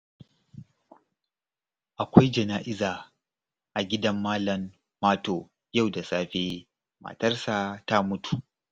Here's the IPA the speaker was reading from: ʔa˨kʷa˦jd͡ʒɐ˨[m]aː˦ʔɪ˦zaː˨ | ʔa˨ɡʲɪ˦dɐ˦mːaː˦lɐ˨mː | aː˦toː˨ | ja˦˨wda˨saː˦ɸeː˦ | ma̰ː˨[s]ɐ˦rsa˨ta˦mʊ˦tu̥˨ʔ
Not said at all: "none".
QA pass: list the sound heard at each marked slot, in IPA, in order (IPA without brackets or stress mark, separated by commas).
n, t